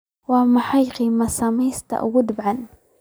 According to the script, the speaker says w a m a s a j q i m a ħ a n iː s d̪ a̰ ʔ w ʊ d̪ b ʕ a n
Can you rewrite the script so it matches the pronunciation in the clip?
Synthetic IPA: w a m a ħ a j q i m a s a m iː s t̪ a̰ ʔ w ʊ d̪ b ʕ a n